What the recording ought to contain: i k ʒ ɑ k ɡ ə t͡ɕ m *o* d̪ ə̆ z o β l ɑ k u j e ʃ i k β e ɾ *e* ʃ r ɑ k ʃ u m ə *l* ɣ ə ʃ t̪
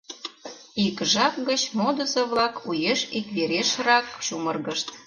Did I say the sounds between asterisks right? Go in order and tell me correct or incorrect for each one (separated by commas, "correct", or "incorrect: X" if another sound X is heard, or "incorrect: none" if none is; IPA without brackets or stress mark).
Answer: correct, correct, incorrect: r